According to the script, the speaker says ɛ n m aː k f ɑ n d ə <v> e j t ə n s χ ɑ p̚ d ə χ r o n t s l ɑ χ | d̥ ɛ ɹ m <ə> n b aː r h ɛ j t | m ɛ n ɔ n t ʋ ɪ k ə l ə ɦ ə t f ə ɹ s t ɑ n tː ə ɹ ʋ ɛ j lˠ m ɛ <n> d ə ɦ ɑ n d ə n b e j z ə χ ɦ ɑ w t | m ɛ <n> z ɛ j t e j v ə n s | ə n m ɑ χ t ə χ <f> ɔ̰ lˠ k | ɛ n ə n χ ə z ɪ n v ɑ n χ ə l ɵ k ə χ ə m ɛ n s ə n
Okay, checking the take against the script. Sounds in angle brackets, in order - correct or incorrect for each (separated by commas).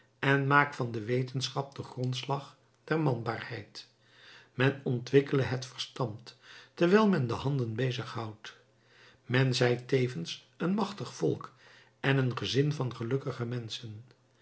incorrect, incorrect, correct, correct, correct